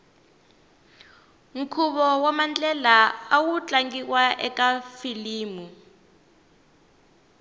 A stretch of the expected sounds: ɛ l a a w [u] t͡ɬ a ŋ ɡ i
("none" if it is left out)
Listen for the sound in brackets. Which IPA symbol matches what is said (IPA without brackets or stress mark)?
u